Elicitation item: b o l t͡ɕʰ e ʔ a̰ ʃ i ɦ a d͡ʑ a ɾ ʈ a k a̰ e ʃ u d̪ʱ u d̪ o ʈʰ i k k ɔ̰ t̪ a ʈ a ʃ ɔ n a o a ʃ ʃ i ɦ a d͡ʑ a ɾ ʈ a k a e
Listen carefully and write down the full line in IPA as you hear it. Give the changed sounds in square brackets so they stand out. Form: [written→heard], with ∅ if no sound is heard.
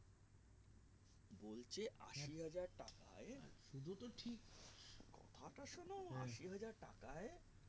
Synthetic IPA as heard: b o l t͡ɕʰ e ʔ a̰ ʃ i ɦ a d͡ʑ a ɾ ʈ a k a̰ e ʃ u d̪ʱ u [d̪→t̪] o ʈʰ i k k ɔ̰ [t̪→t̪ʰ] a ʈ a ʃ [ɔ→o] n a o a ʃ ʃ i ɦ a d͡ʑ a ɾ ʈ a k a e